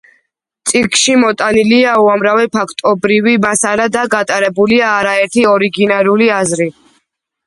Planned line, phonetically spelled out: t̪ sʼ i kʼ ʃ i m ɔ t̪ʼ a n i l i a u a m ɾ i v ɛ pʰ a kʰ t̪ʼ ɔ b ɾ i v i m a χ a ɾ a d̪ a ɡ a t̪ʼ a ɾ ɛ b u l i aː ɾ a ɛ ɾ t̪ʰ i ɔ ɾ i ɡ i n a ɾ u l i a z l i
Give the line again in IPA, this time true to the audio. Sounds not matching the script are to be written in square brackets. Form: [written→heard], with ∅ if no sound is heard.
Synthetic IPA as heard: t̪ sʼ i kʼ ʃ i m ɔ t̪ʼ a n i l i a u a m ɾ [i→a] v ɛ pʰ a kʰ t̪ʼ ɔ b ɾ i v i m a [χ→s] a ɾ a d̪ a ɡ a t̪ʼ a ɾ ɛ b u l i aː ɾ a ɛ ɾ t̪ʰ i ɔ ɾ i ɡ i n a ɾ u l i a z [l→ɾ] i